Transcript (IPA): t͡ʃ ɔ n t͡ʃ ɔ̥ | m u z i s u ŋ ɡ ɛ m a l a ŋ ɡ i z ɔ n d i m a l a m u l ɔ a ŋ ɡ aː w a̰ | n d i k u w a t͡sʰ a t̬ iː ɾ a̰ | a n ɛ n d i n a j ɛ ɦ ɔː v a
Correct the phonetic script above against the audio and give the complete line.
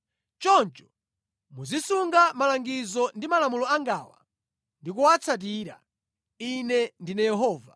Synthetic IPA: t͡ʃ ɔ n t͡ʃ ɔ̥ | m u z i s u ŋ ɡ a m a l a ŋ ɡ i z ɔ n d i m a l a m u l ɔ a ŋ ɡ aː w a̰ | n d i k u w a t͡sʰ a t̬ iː ɾ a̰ | i n ɛ n d i n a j ɛ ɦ ɔː v a